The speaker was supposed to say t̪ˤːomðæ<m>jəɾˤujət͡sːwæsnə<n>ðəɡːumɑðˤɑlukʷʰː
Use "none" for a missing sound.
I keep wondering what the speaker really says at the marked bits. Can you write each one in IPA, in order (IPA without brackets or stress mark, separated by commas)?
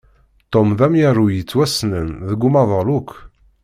m, n